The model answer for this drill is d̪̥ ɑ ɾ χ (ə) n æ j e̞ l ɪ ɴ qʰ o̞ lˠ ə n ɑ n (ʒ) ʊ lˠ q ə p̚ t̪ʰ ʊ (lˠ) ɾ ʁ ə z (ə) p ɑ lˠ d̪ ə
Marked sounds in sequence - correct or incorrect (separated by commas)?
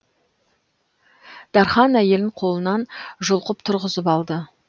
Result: incorrect, correct, incorrect, correct